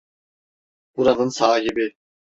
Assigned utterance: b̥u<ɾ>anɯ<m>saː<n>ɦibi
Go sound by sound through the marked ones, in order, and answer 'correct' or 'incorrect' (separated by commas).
correct, incorrect, incorrect